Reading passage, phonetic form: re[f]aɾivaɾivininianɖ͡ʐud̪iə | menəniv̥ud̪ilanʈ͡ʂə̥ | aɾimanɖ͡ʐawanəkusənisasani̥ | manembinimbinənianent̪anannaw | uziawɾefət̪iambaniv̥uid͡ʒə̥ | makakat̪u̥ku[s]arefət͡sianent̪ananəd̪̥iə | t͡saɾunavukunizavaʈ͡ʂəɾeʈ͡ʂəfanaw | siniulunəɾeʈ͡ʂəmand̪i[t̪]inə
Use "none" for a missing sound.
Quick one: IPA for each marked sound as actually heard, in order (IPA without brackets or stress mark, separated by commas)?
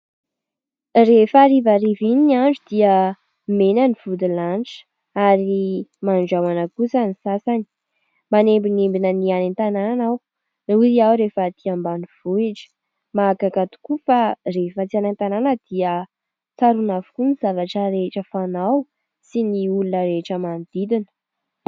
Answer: f, f, d̪